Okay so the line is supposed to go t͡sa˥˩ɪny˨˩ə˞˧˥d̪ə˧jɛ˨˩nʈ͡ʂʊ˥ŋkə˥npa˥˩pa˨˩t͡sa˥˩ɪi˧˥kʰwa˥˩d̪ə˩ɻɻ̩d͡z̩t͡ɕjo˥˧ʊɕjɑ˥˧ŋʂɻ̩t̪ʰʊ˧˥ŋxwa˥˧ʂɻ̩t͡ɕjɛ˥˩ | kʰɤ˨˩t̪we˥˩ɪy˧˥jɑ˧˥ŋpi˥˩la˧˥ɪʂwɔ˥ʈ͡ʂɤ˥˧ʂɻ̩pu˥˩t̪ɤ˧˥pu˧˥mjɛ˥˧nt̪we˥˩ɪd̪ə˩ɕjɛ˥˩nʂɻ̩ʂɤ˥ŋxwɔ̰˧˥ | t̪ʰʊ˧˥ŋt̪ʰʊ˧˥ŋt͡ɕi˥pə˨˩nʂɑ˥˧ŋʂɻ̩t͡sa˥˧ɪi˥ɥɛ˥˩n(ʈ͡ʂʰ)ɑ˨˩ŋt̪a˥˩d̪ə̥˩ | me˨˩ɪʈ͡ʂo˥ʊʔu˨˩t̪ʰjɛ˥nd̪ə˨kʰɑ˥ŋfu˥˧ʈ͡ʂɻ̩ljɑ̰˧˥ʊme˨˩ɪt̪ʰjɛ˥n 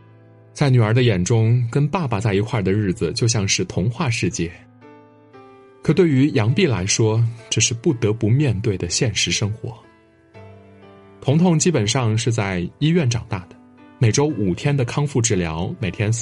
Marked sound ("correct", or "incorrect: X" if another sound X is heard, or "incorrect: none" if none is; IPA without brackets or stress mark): incorrect: ʈ͡ʂ